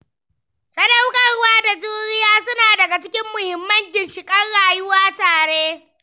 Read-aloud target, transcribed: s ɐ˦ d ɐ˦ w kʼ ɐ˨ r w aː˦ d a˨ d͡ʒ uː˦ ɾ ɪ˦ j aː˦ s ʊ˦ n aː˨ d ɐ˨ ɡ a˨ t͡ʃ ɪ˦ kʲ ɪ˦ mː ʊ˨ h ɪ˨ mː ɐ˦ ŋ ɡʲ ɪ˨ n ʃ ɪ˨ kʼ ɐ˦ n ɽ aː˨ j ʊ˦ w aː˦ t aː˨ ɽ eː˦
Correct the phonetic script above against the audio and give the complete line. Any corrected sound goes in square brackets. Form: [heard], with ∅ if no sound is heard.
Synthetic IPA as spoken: s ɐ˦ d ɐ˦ w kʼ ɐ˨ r w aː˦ d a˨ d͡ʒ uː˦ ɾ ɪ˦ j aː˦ s ʊ˦ n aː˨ d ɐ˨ ɡ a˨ t͡ʃ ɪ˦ kʲ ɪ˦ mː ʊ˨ h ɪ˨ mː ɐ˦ ŋ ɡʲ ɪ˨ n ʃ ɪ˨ kʼ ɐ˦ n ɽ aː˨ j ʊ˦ w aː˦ t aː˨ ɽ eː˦